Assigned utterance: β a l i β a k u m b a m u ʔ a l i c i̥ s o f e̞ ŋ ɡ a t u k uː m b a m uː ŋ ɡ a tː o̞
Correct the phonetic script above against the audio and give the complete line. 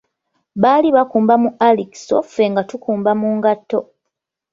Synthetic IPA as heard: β a l i β a k uː m b a m u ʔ a l i k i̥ s o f e̞ ŋ ɡ a t u k uː m b a m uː ŋ ɡ a tː o̞